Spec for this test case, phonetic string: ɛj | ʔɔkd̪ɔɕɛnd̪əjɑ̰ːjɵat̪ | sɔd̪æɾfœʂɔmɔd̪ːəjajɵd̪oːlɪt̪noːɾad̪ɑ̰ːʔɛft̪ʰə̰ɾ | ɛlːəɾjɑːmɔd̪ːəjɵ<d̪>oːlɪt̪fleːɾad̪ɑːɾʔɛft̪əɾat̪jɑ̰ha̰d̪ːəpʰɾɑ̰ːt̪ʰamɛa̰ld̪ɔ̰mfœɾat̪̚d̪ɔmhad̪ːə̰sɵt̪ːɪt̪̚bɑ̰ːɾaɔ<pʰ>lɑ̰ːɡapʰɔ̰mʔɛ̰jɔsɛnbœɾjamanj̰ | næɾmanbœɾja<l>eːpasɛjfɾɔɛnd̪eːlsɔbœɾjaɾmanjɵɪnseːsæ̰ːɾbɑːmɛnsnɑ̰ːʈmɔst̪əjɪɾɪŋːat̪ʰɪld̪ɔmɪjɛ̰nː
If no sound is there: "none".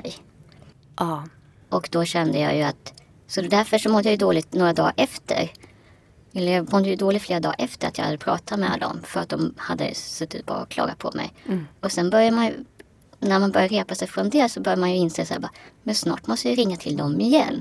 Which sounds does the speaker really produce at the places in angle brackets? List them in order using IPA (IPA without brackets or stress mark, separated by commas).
d̪, kʰ, ɾ